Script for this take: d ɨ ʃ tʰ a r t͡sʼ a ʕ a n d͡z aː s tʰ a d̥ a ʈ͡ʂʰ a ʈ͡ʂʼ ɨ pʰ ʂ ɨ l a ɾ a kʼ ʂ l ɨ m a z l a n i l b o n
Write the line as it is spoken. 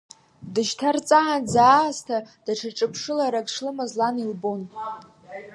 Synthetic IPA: d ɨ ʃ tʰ a r t͡sʼ a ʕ a n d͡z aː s tʰ a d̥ a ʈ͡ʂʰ a ʈ͡ʂʼ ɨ pʰ ʂ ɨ l a ɾ a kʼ ʂ l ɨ m a z l a n i l b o n